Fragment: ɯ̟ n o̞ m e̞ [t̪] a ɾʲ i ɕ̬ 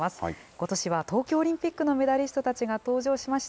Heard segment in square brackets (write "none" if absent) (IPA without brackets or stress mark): d̪